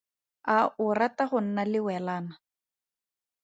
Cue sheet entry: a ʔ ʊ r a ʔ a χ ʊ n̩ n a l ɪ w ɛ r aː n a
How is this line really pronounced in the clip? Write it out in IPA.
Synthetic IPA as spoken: a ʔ ʊ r a t a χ ʊ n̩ n a l ɪ w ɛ l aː n a